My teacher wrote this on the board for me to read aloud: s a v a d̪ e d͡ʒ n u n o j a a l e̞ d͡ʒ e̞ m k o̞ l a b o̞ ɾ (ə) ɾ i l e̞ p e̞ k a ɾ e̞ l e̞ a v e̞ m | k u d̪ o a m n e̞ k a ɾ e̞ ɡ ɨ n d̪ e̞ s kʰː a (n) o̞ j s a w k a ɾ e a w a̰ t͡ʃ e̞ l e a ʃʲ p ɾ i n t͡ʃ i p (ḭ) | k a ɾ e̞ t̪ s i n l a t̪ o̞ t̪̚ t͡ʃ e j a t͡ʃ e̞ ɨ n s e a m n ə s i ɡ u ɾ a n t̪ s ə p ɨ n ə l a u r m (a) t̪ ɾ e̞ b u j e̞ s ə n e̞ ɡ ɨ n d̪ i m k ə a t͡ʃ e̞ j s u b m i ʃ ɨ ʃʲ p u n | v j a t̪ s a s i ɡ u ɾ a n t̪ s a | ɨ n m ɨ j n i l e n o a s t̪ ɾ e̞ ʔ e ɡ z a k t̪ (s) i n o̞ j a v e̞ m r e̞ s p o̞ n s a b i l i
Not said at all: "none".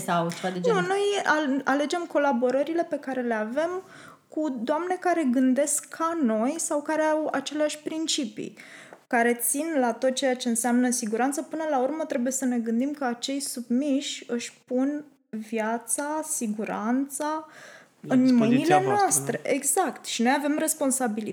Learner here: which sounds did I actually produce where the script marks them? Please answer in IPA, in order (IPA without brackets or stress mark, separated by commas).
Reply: ə, n, ḭ, ə, ʃ